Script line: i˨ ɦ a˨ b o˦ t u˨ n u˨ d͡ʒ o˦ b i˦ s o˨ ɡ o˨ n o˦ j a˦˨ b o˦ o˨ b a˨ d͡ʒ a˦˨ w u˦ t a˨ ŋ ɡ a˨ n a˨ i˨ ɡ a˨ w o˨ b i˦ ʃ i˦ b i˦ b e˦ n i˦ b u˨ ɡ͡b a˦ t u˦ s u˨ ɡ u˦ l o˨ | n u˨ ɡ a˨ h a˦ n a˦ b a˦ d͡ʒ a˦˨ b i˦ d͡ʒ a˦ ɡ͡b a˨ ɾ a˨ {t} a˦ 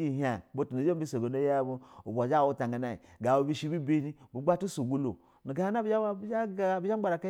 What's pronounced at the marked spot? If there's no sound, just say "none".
k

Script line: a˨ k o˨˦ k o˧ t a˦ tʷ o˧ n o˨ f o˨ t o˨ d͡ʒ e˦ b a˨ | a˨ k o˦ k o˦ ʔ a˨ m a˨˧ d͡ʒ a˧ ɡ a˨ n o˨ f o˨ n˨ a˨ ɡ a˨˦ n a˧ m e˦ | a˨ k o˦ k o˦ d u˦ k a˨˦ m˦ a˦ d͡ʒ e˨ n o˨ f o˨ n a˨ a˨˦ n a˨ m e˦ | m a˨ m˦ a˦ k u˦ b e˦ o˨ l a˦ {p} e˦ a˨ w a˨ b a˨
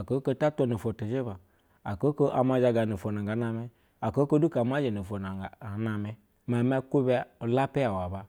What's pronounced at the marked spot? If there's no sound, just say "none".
p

